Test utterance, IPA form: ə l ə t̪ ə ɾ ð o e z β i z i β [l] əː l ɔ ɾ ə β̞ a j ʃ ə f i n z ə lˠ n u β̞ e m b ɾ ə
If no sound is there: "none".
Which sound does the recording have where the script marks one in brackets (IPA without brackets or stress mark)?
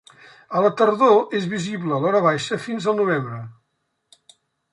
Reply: l